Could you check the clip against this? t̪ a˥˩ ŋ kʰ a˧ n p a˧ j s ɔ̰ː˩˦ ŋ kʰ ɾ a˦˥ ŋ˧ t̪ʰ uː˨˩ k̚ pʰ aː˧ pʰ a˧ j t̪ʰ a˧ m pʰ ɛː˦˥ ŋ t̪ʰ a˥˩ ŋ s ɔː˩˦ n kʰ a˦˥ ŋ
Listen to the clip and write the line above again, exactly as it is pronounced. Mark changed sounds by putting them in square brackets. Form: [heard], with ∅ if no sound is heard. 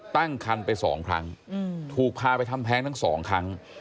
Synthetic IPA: t̪ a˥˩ ŋ kʰ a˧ n p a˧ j s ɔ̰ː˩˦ ŋ kʰ ɾ a˦˥ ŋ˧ t̪ʰ uː˨˩ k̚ pʰ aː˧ [p] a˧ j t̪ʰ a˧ m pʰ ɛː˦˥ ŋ t̪ʰ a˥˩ ŋ s ɔː˩˦ [ŋ] kʰ a˦˥ ŋ